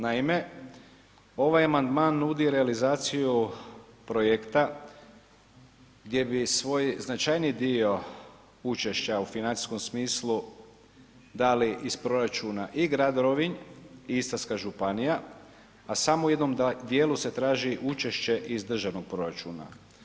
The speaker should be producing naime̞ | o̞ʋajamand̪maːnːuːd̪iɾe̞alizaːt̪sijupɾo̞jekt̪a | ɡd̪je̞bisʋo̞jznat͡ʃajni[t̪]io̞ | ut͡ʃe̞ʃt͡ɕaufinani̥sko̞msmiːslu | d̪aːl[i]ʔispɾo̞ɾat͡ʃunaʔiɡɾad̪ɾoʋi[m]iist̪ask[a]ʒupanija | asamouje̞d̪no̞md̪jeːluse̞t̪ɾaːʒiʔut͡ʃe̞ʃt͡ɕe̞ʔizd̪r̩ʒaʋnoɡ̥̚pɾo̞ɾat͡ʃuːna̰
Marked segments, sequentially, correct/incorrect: incorrect: d̪, correct, incorrect: ɲ, correct

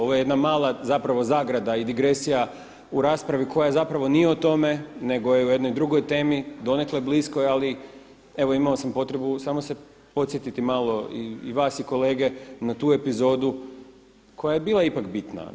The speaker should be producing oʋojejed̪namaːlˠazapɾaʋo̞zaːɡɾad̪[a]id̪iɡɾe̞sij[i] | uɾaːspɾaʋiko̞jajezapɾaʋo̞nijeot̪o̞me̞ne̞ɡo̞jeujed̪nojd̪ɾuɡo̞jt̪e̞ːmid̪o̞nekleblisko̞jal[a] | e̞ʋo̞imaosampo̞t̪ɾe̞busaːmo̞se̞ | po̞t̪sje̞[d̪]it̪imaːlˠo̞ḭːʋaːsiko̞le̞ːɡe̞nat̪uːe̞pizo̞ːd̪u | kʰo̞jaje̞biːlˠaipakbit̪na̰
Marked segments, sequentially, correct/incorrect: correct, incorrect: a, incorrect: i, incorrect: t̪

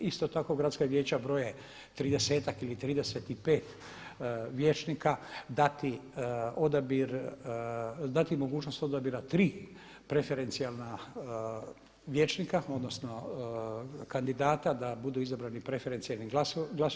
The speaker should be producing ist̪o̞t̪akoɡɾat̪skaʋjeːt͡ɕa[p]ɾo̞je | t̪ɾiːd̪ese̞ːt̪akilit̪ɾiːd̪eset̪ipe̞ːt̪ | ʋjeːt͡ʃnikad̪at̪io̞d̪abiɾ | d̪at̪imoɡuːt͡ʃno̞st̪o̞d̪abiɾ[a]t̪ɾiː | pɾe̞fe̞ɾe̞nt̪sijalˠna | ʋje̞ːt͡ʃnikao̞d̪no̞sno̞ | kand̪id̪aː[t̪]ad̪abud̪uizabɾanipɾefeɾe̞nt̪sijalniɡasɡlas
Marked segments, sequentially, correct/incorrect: incorrect: b, correct, correct

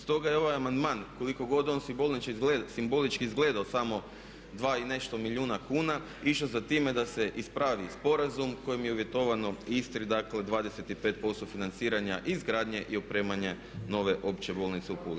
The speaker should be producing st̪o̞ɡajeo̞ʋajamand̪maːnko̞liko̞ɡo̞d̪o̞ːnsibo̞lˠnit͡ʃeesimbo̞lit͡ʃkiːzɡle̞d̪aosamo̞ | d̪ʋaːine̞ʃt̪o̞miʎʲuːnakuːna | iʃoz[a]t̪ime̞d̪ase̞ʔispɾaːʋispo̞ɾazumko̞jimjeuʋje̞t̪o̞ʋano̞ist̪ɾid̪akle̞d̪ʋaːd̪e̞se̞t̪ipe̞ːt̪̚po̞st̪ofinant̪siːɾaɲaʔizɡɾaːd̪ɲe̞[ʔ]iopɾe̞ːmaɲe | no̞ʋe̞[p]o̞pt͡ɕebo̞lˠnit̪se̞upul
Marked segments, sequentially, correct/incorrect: correct, correct, incorrect: ʔ

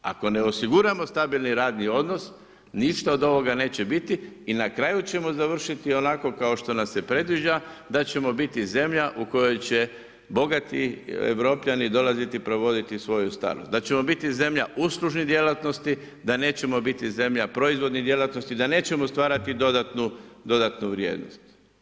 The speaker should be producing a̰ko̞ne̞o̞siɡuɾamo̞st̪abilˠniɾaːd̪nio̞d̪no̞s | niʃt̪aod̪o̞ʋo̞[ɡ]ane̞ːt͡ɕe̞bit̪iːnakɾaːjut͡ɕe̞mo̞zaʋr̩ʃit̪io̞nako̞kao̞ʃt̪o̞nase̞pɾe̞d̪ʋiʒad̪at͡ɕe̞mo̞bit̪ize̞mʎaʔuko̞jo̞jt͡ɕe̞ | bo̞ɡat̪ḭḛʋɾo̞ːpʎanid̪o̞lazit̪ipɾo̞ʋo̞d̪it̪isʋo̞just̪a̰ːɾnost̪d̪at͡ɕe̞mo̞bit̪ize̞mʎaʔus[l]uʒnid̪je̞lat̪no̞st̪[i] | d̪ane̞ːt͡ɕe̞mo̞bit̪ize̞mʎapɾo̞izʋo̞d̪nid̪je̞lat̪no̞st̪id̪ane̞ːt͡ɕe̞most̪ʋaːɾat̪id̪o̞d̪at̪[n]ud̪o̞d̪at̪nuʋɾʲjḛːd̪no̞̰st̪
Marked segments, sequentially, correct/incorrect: correct, correct, correct, correct

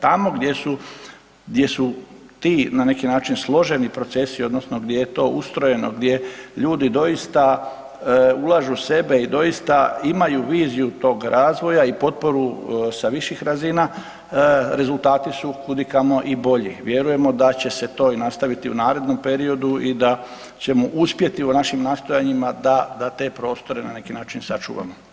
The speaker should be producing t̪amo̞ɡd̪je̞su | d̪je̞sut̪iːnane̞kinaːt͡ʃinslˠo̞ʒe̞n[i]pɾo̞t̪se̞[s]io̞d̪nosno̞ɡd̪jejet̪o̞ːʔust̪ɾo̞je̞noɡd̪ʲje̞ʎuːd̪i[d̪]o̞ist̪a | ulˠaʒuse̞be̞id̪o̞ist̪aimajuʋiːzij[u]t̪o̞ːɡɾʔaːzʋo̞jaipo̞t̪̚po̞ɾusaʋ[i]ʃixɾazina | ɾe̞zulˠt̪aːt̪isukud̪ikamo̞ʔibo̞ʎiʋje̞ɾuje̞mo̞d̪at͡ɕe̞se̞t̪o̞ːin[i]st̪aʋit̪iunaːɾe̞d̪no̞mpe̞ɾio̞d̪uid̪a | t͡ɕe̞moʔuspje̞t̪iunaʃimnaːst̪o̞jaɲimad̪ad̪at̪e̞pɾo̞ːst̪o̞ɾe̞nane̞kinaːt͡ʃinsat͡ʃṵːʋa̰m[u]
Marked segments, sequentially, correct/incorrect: correct, correct, correct, correct, correct, incorrect: a, incorrect: o

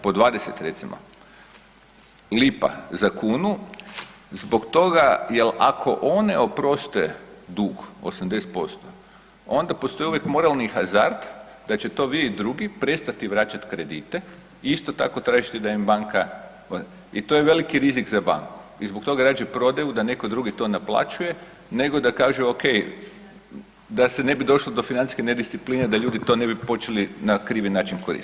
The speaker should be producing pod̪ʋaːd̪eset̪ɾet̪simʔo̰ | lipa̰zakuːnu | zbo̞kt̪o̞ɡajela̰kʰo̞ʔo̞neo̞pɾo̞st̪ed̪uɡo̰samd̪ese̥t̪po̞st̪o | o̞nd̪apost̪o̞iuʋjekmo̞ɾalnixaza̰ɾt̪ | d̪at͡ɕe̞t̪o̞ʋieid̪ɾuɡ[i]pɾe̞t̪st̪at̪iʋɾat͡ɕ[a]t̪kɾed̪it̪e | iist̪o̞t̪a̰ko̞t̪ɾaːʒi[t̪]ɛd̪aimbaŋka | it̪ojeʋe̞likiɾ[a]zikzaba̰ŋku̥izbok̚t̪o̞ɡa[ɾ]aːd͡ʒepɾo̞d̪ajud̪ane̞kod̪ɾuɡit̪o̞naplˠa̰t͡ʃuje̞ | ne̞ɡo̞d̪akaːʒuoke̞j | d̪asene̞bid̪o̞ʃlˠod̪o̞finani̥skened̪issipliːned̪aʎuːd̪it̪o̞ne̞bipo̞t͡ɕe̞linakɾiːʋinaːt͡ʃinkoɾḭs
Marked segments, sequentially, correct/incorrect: correct, correct, correct, incorrect: i, correct

